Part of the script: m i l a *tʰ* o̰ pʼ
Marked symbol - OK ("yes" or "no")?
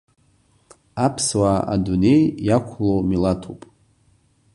yes